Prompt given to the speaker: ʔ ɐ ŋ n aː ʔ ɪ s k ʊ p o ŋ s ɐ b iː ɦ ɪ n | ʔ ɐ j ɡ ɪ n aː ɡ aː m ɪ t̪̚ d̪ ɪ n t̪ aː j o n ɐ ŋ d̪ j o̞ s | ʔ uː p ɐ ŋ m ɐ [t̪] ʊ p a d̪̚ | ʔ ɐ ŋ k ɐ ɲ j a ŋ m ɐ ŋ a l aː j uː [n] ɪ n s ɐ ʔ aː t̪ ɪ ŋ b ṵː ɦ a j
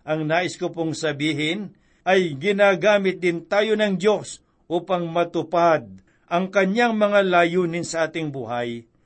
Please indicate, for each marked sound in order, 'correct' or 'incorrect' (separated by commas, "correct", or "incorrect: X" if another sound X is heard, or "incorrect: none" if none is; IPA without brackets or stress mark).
correct, correct